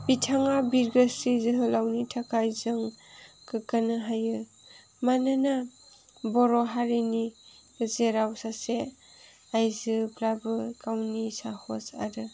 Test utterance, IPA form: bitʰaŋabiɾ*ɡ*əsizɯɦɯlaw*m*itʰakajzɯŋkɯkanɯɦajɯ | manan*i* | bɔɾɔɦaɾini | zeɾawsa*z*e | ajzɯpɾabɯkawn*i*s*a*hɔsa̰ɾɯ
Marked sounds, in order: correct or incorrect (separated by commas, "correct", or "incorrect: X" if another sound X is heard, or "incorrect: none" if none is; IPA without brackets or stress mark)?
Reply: correct, incorrect: n, incorrect: a, incorrect: s, correct, correct